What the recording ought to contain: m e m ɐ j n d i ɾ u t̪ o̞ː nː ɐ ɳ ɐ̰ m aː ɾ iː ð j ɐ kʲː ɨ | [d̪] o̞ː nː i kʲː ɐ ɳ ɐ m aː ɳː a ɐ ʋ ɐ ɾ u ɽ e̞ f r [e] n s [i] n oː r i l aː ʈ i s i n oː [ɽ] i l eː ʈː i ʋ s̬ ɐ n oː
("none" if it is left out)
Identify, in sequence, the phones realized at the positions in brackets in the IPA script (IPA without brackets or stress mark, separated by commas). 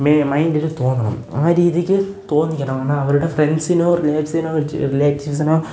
t̪, e, i, r